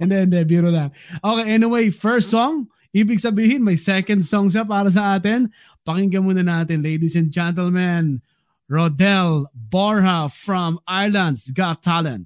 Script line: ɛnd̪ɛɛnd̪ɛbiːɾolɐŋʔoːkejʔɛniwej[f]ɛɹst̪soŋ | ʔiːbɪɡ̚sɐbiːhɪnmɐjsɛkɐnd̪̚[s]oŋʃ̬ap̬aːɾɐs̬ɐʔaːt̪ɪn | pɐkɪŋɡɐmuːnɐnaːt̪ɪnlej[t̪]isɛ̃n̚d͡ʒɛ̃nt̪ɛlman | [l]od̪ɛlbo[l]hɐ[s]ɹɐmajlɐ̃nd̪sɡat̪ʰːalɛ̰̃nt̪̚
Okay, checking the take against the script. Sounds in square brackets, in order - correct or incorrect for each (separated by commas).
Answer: correct, correct, incorrect, incorrect, incorrect, incorrect